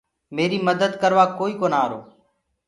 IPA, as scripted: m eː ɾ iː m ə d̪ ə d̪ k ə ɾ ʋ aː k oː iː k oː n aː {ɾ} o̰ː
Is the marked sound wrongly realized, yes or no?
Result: no